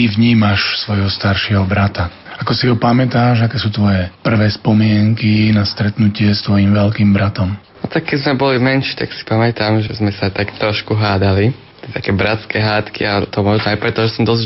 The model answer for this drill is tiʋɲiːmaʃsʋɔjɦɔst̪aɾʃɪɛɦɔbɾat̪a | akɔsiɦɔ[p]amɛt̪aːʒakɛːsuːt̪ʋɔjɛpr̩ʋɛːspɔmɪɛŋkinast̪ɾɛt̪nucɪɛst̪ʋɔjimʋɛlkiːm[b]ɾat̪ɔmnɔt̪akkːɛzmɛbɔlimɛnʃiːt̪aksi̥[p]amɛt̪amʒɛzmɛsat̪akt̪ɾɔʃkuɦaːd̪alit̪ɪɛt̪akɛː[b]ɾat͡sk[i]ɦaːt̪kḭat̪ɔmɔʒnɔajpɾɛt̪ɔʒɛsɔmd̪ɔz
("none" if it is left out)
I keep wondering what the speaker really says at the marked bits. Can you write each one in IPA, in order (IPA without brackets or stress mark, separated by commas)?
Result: p, b, p, b, ɛ